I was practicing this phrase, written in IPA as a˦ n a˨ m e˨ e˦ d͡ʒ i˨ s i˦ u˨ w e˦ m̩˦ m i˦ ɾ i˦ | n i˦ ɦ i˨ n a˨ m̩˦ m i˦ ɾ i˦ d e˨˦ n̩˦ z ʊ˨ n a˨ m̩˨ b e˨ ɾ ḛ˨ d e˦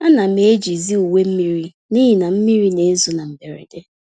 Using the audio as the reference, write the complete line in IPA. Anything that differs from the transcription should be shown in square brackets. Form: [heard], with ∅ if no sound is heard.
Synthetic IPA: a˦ n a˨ m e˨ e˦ d͡ʒ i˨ [z] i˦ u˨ w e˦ m̩˦ m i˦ ɾ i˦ | n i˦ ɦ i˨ n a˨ m̩˦ m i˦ ɾ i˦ [n] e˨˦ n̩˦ z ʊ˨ n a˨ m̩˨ b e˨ ɾ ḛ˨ d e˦